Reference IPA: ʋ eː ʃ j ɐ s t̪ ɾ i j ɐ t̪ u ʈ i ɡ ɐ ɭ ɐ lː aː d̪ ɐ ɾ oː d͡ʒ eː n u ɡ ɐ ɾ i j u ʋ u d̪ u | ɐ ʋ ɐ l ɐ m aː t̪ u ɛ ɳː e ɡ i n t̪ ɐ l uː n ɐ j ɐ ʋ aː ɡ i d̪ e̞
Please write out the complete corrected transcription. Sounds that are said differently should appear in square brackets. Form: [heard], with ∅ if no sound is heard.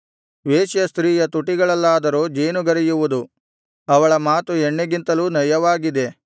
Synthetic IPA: ʋ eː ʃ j ɐ s t̪ ɾ [iː] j ɐ t̪ u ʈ i ɡ ɐ ɭ ɐ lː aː d̪ ɐ ɾ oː d͡ʒ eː n u ɡ ɐ ɾ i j u ʋ u d̪ u | ɐ ʋ ɐ [ɭ] ɐ m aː t̪ u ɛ ɳː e ɡ i n t̪ ɐ l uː n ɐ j ɐ ʋ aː ɡ i d̪ e̞